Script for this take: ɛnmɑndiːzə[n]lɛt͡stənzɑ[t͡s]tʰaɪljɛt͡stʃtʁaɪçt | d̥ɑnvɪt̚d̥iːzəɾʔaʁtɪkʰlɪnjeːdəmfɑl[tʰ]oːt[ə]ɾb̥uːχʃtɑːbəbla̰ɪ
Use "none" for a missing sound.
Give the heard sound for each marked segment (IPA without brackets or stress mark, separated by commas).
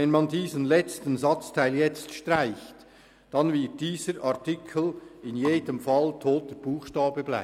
n, t͡s, tʰ, ə